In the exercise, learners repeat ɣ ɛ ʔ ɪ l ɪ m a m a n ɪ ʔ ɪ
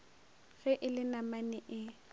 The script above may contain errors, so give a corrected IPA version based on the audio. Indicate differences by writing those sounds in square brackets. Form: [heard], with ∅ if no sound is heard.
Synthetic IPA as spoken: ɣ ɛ ʔ ɪ l ɪ [n] a m a n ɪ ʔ ɪ